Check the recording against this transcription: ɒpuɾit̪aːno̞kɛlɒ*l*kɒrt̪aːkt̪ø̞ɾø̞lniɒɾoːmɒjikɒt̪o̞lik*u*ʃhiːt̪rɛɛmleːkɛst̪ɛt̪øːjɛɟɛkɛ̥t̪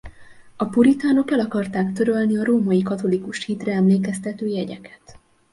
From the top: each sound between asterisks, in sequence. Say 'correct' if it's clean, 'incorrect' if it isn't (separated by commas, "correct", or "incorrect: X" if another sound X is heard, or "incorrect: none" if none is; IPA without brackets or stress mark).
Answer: incorrect: none, correct